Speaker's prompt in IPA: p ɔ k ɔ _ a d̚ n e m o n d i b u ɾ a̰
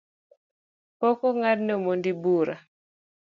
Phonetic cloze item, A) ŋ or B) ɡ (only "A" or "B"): A